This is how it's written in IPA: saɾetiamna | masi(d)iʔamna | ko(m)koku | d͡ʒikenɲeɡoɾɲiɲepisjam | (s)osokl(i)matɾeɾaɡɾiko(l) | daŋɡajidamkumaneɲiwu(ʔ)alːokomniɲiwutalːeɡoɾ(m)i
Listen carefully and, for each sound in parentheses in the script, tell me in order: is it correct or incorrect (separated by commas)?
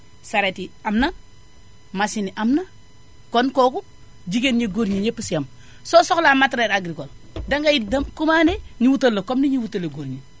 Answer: incorrect, incorrect, correct, incorrect, correct, incorrect, incorrect